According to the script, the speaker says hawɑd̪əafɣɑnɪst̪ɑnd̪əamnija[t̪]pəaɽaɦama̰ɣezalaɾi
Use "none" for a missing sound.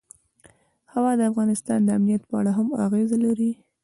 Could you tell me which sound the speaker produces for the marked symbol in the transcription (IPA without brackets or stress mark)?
t̪